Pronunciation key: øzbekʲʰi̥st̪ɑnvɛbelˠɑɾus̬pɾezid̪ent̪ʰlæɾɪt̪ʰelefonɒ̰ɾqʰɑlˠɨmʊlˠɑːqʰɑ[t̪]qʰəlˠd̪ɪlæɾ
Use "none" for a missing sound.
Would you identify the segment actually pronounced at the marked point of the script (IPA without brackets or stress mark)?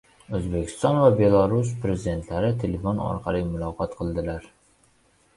t̪